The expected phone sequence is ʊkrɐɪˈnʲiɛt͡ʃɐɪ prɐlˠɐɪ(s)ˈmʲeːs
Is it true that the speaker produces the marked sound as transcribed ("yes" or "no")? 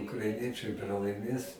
no